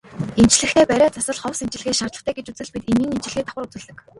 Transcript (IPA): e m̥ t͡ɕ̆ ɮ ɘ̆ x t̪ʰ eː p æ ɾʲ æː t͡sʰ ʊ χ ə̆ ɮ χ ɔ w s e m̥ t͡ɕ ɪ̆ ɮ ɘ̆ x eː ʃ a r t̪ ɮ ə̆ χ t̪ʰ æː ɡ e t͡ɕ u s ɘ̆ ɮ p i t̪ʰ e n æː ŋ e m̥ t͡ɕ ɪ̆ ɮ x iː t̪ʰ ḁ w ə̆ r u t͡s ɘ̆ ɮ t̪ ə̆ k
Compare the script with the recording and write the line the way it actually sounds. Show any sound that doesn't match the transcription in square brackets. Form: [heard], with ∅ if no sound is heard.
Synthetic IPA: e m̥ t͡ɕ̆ ɮ ɘ̆ x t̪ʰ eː p æ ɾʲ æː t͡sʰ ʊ [s] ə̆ ɮ χ ɔ w s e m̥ t͡ɕ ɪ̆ ɮ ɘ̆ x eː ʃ a r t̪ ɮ ə̆ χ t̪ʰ æː ɡ e t͡ɕ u [t͡s] ɘ̆ ɮ p i [t̪] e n [iː] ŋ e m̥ t͡ɕ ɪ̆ ɮ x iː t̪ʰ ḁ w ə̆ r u t͡s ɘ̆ ɮ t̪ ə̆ k